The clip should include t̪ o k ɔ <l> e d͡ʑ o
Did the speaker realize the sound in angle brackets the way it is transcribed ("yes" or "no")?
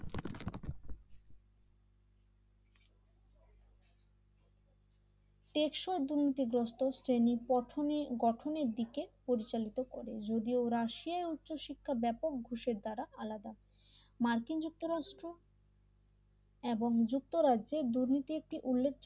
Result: no